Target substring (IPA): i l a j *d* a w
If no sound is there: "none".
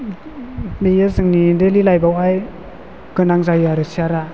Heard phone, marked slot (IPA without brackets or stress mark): b